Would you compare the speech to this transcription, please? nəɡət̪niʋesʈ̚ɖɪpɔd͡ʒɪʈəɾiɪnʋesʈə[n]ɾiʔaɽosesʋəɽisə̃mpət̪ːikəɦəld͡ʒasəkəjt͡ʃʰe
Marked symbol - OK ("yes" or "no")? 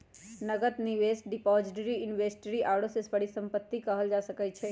no